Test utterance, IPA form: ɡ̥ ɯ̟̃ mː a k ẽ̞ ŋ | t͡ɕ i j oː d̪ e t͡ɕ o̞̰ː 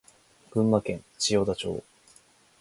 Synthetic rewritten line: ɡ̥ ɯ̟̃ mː a k ẽ̞ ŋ | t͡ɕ i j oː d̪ a t͡ɕ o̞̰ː